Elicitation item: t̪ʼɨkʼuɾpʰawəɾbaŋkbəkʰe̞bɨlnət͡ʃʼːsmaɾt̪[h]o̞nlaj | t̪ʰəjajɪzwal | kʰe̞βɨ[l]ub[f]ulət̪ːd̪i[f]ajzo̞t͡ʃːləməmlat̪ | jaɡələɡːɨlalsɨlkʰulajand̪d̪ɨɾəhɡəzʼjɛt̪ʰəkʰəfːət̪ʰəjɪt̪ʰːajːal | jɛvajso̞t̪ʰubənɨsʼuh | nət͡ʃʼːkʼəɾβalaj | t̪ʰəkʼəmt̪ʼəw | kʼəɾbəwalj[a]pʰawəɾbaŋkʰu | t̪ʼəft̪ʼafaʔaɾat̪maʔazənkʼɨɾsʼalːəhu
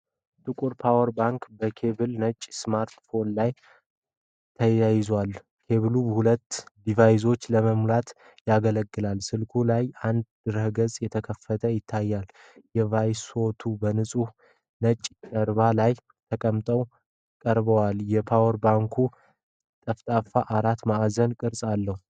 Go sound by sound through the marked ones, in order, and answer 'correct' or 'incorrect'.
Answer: incorrect, correct, incorrect, incorrect, incorrect

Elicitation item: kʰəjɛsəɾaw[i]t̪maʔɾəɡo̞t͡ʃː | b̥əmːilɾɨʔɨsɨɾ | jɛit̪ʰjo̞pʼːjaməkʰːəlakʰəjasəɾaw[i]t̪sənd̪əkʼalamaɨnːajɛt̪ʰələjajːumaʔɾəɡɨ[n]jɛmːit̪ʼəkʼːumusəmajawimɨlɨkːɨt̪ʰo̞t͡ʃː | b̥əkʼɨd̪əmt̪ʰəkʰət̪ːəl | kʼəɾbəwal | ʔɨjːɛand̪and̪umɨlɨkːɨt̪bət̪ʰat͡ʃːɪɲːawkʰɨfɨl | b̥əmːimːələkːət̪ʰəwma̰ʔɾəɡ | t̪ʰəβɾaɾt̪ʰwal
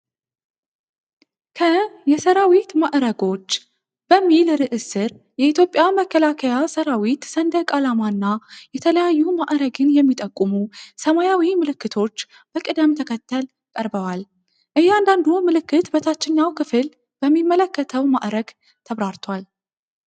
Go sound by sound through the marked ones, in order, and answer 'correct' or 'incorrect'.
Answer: correct, correct, correct

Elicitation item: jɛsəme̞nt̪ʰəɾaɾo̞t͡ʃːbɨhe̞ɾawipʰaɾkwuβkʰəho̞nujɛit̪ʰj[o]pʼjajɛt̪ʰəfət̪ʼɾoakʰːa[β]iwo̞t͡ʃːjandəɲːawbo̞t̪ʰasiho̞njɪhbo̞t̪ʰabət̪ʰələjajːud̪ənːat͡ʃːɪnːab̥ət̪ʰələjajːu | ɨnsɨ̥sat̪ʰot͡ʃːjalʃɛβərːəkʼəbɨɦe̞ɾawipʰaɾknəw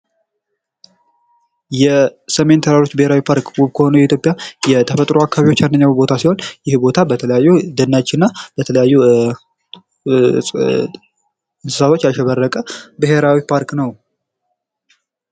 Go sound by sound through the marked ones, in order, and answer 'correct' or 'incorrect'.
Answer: correct, correct

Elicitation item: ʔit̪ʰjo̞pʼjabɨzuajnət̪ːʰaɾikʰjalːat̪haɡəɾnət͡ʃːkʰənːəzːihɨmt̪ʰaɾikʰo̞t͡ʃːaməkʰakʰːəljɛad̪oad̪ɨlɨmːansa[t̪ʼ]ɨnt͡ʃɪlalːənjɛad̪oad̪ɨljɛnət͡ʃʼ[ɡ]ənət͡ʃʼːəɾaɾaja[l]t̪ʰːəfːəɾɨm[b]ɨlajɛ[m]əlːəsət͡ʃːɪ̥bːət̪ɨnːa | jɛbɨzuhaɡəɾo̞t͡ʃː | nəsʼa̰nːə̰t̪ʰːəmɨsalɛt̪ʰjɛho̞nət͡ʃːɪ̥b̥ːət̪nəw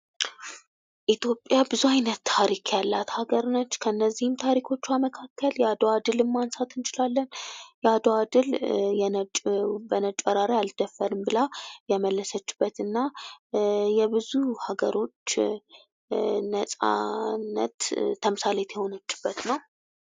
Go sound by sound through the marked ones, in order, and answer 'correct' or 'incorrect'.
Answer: incorrect, incorrect, correct, correct, correct

